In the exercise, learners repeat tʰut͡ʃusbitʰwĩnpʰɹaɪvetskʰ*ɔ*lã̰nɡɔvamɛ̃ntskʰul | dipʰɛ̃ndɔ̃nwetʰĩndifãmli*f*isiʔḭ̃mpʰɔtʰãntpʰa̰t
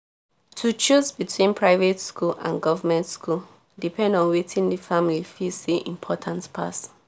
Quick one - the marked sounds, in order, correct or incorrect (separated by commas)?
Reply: incorrect, correct